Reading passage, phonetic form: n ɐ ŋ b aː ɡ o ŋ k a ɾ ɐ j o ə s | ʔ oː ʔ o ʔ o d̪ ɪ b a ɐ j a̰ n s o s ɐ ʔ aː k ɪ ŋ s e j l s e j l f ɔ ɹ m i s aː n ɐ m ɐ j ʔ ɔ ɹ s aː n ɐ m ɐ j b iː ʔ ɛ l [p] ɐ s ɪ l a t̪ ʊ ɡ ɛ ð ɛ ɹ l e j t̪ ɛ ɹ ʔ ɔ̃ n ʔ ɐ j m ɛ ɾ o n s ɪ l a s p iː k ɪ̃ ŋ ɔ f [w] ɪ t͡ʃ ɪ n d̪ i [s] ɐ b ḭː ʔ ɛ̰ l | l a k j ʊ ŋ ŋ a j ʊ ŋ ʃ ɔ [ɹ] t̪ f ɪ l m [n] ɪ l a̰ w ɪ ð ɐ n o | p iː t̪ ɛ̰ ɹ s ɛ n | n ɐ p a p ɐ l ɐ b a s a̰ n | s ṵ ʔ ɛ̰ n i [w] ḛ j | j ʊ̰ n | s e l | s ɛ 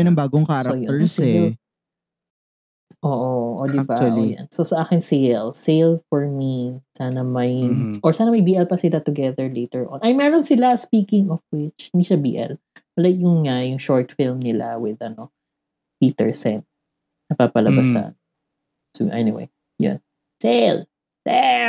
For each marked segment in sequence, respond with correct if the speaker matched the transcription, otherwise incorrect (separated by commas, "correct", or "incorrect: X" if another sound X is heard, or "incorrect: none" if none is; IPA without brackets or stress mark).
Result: correct, correct, incorrect: ʃ, correct, correct, correct